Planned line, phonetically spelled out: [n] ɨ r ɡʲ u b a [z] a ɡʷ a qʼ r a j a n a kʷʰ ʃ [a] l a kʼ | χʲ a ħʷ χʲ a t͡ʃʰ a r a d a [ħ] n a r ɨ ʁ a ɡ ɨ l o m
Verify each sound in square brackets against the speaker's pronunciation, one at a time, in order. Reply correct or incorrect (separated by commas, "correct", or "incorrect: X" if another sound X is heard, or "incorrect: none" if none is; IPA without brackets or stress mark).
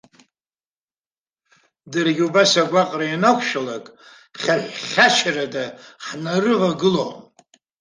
incorrect: d, incorrect: s, correct, correct